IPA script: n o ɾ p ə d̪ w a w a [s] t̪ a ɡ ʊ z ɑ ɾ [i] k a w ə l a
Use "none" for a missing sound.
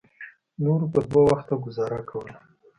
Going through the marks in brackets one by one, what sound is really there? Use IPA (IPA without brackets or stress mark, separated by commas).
x, a